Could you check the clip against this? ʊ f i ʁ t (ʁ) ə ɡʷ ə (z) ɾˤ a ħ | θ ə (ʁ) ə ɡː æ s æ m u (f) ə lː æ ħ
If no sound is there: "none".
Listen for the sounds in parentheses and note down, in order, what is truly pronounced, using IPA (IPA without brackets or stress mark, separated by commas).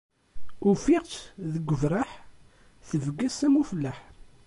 ð, v, v, f